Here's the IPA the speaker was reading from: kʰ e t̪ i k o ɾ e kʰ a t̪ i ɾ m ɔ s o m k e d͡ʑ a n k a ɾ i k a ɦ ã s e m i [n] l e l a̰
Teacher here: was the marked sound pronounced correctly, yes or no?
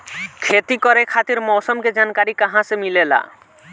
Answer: no